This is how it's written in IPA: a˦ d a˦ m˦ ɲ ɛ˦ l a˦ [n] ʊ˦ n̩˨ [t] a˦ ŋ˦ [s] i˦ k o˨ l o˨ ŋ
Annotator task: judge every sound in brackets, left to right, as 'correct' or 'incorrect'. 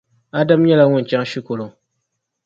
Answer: incorrect, incorrect, incorrect

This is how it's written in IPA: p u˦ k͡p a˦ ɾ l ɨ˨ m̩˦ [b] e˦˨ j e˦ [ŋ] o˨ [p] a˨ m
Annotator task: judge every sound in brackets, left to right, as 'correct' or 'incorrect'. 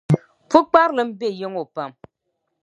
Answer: correct, correct, correct

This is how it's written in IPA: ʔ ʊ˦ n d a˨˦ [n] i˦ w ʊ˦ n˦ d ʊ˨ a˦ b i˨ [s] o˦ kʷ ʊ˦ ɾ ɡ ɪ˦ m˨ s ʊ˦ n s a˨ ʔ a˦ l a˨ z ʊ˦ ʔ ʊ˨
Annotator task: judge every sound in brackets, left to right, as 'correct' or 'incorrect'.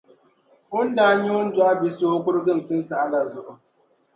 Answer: incorrect, correct

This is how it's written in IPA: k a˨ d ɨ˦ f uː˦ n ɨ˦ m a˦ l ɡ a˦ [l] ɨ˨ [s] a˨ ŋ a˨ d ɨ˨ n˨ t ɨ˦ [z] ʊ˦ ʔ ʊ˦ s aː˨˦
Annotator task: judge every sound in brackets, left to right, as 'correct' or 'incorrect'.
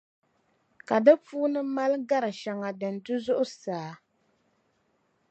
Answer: incorrect, incorrect, correct

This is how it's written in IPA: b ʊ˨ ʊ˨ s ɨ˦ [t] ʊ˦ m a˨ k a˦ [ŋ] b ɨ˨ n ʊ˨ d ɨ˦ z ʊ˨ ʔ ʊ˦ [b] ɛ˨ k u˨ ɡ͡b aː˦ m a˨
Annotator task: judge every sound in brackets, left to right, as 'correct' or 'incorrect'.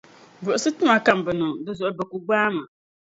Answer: correct, incorrect, correct

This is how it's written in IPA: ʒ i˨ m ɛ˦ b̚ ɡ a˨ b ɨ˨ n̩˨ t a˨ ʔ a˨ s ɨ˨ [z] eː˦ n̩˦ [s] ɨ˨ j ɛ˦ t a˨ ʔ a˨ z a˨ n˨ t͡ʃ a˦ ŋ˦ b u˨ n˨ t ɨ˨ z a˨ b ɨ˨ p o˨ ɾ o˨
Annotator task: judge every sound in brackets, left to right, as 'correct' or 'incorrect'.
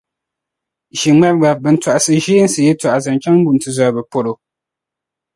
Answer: incorrect, correct

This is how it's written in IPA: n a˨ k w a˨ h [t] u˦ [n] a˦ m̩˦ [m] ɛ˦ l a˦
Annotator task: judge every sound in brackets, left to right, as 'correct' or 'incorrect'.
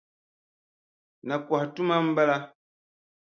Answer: correct, incorrect, incorrect

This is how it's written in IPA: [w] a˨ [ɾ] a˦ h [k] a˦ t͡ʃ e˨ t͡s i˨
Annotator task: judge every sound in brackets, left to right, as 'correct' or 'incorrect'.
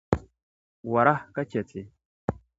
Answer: correct, correct, correct

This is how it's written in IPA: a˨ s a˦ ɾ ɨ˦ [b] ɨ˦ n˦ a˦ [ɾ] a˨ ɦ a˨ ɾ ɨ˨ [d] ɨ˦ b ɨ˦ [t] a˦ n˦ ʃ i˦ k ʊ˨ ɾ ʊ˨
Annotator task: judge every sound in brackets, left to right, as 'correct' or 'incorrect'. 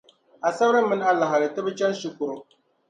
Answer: incorrect, incorrect, incorrect, incorrect

